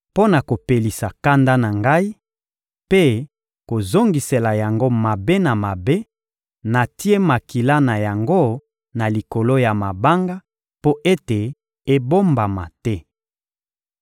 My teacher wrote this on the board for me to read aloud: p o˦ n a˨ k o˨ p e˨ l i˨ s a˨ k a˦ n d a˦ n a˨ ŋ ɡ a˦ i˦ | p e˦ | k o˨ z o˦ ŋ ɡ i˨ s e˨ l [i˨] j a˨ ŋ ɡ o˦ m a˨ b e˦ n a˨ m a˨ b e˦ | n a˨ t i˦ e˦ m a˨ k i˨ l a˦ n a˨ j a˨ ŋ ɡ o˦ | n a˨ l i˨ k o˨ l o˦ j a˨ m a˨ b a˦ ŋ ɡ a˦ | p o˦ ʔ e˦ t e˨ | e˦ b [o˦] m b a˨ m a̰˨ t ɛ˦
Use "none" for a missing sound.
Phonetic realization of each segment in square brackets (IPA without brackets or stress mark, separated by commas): a˨, o˦